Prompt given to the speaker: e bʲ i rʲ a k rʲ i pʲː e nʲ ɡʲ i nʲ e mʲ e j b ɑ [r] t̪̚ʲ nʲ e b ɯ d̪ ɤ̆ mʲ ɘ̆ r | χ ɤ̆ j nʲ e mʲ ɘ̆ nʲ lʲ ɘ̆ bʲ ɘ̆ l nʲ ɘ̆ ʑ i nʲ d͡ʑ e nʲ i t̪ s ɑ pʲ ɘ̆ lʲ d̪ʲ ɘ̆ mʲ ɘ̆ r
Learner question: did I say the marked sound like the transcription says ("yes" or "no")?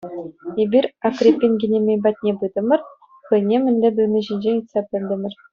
no